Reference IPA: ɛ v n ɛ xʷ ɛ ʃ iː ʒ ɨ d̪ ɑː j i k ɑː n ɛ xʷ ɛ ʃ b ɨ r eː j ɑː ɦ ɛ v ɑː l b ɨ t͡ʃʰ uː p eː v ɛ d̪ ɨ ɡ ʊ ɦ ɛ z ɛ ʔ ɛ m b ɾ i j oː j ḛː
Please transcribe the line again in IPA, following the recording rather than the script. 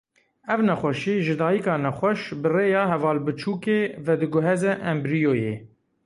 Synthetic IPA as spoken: ɛ v n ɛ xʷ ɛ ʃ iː ʒ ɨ d̪ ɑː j i k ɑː n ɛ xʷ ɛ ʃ b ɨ r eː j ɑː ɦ ɛ v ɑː l b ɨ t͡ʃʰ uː k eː v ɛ d̪ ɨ ɡ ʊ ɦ ɛ z ɛ ʔ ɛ m b ɾ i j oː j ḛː